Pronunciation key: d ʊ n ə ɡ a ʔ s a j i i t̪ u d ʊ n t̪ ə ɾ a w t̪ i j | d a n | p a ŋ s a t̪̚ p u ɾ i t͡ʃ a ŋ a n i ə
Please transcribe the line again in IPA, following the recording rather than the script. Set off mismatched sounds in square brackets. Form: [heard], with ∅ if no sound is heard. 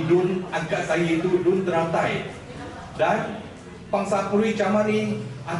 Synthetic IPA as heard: d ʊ n [a] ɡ a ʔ s a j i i t̪ u d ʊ n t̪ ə ɾ a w t̪ [a] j | d a n | p a ŋ s a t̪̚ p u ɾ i t͡ʃ a [m] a n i [a]